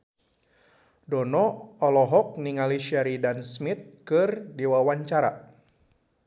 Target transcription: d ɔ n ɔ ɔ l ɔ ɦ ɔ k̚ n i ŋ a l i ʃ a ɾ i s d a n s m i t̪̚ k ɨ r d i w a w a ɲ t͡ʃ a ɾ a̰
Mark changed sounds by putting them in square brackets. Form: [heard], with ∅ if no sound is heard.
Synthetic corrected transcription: d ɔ n ɔ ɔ l ɔ ɦ ɔ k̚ n i ŋ a l i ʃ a ɾ i [∅] d a n s m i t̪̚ k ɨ r d i w a w a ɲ t͡ʃ a ɾ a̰